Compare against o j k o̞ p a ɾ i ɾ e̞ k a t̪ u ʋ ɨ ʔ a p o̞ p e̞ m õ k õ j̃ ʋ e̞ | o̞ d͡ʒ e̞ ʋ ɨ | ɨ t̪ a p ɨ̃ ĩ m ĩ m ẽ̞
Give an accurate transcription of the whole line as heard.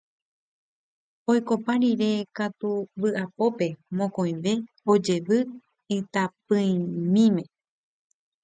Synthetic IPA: o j k o̞ p a ɾ i ɾ e̞ k a t̪ u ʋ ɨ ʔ a p o̞ p e̞ m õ k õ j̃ ʋ e̞ | o̞ d͡ʒ e̞ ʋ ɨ | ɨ t̪ a p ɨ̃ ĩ m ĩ m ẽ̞